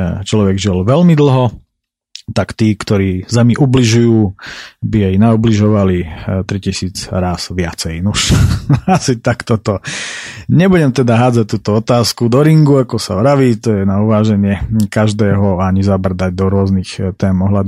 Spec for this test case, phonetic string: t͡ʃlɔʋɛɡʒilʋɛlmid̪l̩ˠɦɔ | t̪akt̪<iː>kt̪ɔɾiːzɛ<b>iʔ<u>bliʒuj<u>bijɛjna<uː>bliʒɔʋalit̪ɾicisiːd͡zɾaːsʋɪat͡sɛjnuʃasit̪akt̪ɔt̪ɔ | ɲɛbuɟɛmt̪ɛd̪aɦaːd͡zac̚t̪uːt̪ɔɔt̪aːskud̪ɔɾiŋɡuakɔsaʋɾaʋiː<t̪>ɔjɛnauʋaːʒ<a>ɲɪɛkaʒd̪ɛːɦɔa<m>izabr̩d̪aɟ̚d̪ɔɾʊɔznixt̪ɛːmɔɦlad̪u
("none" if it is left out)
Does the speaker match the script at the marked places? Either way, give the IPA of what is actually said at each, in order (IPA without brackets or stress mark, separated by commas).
iː, m, u, uː, u, t̪, ɛ, ɲ